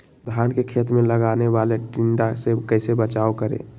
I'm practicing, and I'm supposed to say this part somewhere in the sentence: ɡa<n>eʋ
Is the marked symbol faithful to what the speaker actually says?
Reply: yes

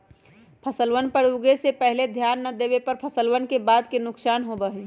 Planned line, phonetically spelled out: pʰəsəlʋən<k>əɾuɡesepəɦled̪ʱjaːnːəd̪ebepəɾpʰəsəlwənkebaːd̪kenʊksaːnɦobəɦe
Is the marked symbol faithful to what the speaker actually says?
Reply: no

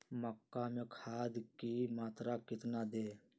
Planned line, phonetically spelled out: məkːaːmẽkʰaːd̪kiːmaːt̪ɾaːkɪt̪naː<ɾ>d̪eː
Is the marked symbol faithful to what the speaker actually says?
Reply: no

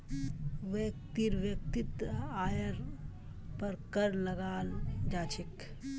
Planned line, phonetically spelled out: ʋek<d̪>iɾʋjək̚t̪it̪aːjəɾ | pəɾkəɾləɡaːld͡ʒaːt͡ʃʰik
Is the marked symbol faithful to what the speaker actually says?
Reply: no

